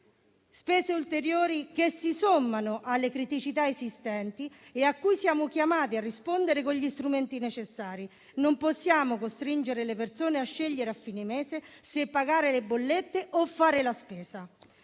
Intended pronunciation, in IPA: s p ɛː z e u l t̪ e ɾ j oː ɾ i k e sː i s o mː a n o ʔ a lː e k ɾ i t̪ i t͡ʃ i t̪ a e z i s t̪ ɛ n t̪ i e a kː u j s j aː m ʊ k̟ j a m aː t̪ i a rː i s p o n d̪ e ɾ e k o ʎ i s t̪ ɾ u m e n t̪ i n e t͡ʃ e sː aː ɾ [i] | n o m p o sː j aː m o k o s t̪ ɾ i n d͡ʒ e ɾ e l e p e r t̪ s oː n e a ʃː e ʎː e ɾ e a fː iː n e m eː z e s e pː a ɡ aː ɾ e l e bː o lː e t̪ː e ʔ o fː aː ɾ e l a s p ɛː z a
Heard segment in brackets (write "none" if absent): i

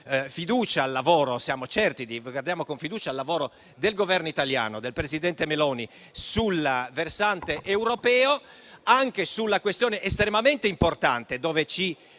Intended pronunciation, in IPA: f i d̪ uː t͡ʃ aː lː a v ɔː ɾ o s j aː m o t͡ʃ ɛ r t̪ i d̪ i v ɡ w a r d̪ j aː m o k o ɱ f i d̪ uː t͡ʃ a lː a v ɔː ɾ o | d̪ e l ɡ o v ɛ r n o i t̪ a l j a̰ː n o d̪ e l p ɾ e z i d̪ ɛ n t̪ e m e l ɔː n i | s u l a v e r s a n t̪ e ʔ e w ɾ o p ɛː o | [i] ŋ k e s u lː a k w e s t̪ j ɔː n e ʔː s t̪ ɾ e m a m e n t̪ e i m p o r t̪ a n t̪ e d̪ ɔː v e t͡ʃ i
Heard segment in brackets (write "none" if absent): a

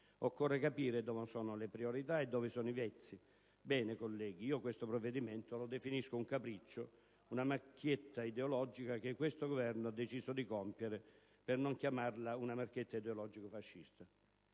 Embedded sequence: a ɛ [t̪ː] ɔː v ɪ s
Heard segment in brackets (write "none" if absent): d̪ː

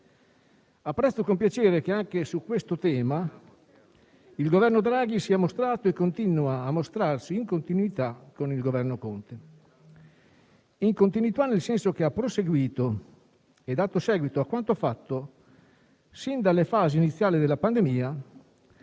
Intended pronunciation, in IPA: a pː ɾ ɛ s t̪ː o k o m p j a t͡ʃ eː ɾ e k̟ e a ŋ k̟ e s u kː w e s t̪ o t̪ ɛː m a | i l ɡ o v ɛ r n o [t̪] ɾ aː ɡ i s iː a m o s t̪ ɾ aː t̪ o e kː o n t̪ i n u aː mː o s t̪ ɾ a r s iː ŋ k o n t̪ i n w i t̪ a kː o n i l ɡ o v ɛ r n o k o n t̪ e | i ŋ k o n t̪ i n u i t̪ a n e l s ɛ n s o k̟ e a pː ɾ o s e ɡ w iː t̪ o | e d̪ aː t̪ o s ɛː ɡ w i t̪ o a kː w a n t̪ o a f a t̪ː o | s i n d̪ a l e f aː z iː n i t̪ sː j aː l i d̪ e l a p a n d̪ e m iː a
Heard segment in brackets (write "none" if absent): d̪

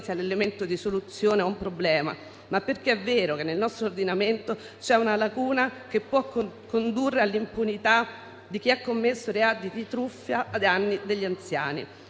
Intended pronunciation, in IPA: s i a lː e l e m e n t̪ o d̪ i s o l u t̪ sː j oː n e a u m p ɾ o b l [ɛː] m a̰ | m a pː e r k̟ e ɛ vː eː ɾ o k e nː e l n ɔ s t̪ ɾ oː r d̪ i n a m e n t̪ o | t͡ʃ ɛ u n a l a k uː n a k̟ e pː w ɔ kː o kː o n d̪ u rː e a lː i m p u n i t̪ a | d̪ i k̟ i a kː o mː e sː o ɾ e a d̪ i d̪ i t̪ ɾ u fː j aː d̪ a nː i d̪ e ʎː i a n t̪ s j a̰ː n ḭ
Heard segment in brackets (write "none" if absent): ɛː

